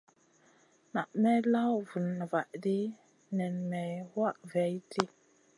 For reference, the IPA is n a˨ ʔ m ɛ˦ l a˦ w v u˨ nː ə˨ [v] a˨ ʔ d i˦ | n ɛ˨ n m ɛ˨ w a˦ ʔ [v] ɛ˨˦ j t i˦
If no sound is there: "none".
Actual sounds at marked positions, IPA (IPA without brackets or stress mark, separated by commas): v, v